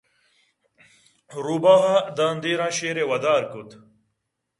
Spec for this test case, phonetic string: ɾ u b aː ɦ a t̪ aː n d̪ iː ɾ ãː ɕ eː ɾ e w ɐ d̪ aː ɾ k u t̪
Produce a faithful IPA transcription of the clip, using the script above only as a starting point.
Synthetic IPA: ɾ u b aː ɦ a d̪ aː n d̪ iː ɾ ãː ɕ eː ɾ e w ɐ d̪ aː ɾ k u t̪